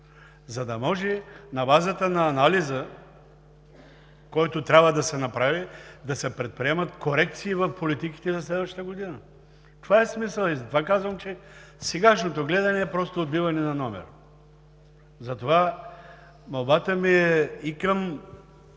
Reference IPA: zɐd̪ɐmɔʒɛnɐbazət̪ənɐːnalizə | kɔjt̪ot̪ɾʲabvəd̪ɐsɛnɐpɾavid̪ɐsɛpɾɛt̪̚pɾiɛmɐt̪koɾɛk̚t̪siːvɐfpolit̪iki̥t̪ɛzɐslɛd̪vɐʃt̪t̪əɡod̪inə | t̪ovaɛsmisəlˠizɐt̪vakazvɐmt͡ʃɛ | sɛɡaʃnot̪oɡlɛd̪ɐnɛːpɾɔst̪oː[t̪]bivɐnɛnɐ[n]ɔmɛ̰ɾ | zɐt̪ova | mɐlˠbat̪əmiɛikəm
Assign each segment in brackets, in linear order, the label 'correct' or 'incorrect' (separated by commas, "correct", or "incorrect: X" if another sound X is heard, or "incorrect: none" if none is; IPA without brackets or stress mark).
incorrect: d̪, correct